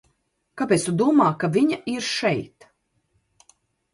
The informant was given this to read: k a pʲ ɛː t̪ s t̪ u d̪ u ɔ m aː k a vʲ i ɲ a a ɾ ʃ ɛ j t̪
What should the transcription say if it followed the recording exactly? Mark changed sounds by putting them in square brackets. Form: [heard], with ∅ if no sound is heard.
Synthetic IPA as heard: k a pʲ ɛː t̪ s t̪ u d̪ u ɔ m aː k a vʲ i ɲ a [i] ɾ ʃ ɛ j t̪